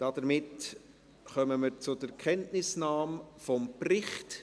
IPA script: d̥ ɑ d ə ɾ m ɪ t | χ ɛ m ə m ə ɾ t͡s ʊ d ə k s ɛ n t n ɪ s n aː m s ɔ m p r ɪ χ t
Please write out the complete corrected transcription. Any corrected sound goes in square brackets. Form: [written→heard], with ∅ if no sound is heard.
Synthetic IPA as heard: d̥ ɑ d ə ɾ m ɪ t | χ [ɛ→œ] m ə m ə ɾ t͡s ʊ d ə k [s→χ] ɛ n t n ɪ s n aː m [s→f] ɔ m p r ɪ χ t

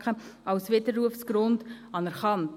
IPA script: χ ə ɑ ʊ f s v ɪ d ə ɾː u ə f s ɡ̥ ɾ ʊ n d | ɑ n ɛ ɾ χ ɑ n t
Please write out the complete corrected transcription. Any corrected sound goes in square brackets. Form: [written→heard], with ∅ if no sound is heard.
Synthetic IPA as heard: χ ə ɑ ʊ [f→∅] s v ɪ d ə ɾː u ə f s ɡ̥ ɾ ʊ n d | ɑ n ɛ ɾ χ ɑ n t

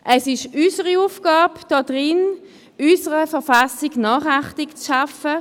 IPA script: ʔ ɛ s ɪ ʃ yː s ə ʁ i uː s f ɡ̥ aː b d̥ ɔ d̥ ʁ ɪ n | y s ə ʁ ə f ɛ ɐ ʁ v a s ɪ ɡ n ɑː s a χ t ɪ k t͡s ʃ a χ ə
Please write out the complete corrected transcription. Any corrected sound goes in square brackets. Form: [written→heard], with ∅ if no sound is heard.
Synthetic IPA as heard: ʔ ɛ s ɪ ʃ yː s ə ʁ i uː [s→∅] f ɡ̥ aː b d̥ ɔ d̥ ʁ ɪ n | y s ə ʁ ə f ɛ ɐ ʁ [v→f] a s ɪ ɡ n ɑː [s→χ] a χ t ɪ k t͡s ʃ a [χ→f] ə

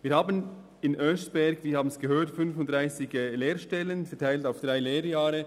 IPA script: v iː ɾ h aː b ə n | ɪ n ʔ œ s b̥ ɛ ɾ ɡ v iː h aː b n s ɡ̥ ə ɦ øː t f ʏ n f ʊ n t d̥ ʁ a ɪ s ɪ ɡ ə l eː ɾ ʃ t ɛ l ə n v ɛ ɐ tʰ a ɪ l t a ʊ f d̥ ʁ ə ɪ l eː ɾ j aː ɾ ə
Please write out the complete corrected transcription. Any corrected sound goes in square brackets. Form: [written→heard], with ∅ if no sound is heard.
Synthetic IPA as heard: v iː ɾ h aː b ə n | ɪ n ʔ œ s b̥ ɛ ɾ ɡ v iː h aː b n s ɡ̥ ə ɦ øː t f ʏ n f ʊ n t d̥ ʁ a ɪ s ɪ ɡ ə l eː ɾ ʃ t ɛ l ə n [v→f] ɛ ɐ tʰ a ɪ l t a ʊ f d̥ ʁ [ə→a] ɪ l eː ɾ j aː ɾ ə

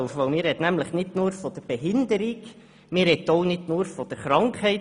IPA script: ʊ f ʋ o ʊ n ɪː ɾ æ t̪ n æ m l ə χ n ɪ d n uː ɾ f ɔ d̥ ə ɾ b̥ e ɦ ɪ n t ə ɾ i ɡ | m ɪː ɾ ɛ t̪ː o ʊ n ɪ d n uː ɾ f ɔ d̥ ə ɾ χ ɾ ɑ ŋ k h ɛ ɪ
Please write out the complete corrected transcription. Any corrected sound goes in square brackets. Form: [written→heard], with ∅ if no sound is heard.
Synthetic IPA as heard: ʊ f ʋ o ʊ [n→m] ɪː ɾ [æ→ɛ] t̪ n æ m l ə χ n ɪ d n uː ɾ f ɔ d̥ ə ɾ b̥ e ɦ ɪ n [t→d] ə ɾ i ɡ | m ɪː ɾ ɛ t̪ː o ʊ n ɪ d n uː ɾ f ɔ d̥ ə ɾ χ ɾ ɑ ŋ k h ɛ ɪ

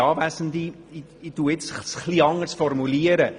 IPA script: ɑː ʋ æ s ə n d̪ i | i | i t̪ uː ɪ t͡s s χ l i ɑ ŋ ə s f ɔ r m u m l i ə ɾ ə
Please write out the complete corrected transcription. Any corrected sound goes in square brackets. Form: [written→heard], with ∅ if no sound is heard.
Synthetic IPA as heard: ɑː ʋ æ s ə n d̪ i | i | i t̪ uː ɪ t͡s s χ l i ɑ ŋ ə s f ɔ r m u [m→∅] l i ə ɾ ə

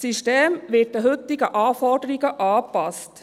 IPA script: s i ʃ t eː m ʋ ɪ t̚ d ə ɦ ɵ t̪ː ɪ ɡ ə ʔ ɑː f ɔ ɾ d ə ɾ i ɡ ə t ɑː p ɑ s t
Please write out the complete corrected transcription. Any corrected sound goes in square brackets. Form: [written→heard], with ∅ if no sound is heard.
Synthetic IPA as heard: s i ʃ t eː m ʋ ɪ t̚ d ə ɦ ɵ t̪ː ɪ ɡ ə ʔ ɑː f ɔ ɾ d ə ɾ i ɡ ə [t→ʔ] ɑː p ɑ s t

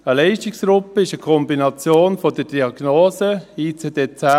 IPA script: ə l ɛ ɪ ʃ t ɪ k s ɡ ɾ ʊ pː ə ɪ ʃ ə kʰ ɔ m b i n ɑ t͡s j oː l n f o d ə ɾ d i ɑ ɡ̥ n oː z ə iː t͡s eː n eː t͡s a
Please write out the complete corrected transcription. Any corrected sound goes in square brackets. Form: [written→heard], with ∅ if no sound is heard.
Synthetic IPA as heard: ə l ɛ ɪ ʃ t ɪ k s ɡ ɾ ʊ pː ə ɪ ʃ ə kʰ ɔ m b i n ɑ t͡s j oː [l→∅] n f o d ə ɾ d i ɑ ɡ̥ n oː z ə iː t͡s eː [n→d] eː t͡s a

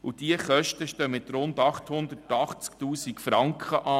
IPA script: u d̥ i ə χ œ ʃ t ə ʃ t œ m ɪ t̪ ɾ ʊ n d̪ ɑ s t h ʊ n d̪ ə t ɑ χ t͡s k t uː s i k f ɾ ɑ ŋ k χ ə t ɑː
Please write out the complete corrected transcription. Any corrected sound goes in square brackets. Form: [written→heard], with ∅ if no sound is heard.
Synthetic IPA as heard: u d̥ i ə χ œ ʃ t ə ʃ t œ m ɪ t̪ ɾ ʊ n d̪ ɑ [s→χ] t h ʊ n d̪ ə t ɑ χ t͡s k t uː s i k f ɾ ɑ ŋ k χ ə [t→ʔ] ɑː

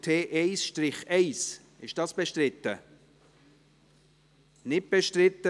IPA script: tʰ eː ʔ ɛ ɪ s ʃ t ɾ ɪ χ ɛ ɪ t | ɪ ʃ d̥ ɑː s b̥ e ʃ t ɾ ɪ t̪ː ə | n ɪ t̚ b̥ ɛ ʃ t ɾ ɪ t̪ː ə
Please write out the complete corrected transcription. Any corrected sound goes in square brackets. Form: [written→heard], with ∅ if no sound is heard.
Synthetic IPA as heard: tʰ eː ʔ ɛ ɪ s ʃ t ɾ ɪ χ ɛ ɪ [t→s] | ɪ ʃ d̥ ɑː s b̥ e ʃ t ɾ ɪ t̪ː ə | n ɪ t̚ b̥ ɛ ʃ t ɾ ɪ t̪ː ə

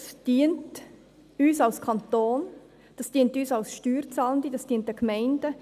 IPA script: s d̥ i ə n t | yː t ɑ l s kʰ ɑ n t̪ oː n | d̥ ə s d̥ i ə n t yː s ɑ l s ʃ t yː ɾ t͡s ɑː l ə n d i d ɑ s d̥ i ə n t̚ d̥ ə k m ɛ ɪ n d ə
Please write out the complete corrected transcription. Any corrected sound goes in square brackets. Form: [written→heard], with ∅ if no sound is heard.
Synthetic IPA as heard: s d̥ i ə n t | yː [t→s] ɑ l s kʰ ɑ n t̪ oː n | d̥ [ə→ɑ] s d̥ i ə n t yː s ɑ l s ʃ t yː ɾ t͡s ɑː l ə n d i d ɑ s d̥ i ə n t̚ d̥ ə k m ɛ ɪ n d ə

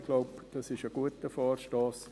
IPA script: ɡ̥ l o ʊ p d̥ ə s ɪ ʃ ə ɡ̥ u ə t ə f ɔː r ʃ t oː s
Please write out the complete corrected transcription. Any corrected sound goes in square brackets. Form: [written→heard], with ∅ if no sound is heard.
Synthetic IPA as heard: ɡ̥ l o ʊ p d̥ [ə→ɑ] s ɪ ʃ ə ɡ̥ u ə t ə f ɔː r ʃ t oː s

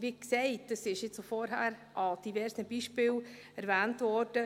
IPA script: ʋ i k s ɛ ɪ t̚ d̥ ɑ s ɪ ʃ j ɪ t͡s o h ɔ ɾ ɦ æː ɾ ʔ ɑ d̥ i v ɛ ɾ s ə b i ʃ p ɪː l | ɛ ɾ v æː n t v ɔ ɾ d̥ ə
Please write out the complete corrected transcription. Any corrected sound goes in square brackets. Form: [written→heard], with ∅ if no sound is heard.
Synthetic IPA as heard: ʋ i k s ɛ ɪ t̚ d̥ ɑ s ɪ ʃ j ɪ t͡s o [h→f] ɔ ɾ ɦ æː ɾ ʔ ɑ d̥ i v ɛ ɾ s ə b i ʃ p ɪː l | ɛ ɾ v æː n t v ɔ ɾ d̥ ə

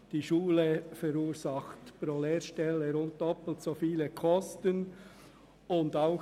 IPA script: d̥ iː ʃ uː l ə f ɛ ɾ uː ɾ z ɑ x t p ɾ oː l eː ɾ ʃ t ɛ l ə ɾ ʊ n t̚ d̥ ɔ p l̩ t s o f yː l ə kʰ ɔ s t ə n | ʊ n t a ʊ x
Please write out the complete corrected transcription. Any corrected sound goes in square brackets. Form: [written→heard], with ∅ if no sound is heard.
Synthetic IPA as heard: d̥ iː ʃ uː l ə f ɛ ɾ uː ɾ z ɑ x t p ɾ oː l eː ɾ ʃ t ɛ l ə ɾ ʊ n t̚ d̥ ɔ p l̩ t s o f [yː→iː] l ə kʰ ɔ s t ə n | ʊ n [t→d] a ʊ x

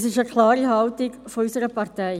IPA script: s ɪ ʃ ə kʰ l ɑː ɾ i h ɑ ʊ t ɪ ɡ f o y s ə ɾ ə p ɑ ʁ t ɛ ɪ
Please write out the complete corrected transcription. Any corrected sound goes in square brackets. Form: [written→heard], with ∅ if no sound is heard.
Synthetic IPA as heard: s ɪ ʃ ə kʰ l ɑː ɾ i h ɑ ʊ t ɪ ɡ f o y s ə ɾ ə p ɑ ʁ t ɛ ɪ

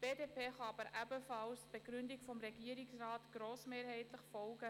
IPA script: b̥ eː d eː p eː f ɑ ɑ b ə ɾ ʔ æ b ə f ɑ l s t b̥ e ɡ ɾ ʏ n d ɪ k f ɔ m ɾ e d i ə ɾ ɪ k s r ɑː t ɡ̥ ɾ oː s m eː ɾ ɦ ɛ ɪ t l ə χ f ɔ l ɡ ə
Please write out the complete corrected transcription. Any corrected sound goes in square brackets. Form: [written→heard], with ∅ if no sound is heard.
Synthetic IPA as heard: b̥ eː d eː p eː [f→χ] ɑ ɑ b ə ɾ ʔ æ b ə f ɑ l s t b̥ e ɡ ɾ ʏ n d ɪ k f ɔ m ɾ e [d→ɡ] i ə ɾ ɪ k s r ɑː t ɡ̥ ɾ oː s m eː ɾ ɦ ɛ ɪ t l ə χ f ɔ l ɡ ə

